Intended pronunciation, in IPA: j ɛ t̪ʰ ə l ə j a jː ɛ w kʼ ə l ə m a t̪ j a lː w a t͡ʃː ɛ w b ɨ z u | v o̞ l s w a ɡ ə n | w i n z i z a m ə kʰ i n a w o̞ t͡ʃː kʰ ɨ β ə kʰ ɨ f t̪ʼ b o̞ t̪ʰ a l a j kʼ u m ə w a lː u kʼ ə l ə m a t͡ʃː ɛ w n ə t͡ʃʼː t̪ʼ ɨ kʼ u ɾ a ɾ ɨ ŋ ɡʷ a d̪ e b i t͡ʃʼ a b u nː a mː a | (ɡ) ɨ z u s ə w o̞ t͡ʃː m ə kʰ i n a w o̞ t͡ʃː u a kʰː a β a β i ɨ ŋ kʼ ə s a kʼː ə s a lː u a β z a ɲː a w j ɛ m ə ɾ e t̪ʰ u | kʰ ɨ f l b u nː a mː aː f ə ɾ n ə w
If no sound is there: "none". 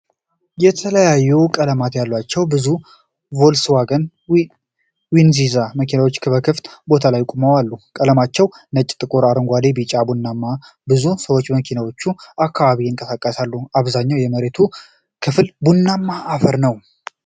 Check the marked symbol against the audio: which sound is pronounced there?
b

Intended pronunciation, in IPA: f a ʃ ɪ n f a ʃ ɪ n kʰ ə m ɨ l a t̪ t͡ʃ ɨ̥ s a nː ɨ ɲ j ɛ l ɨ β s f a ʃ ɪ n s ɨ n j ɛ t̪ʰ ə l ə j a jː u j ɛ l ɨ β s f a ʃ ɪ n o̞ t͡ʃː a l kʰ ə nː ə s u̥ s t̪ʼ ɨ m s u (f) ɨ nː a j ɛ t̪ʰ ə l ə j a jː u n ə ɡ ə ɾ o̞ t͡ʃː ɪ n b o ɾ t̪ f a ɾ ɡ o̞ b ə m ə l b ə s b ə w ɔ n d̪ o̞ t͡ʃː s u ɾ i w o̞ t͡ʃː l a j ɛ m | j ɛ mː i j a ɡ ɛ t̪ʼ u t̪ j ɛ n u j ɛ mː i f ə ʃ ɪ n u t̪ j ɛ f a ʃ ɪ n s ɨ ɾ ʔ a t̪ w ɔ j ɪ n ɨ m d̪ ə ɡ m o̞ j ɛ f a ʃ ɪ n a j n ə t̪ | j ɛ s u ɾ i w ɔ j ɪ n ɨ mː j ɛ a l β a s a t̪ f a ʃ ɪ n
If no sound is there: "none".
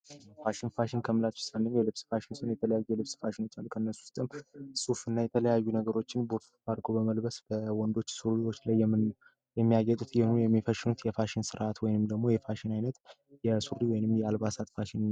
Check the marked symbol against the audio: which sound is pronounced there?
f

